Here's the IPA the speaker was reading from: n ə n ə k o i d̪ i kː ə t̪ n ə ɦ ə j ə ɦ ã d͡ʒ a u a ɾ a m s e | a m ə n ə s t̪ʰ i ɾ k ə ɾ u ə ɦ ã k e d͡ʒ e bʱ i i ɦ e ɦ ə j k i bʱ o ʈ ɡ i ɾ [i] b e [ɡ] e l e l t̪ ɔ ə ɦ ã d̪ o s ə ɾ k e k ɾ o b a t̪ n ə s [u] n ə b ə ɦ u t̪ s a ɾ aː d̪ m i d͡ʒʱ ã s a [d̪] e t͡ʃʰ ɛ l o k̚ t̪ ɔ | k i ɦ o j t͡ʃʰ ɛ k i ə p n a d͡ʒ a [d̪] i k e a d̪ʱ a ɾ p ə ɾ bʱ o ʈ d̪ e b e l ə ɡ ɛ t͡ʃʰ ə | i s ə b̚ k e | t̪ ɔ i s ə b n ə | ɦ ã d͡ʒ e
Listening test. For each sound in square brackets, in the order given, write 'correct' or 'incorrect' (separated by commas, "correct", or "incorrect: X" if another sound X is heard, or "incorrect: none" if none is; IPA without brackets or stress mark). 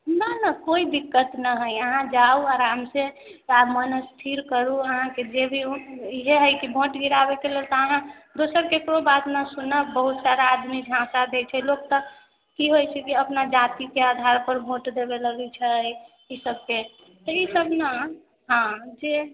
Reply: incorrect: a, incorrect: k, correct, correct, incorrect: t̪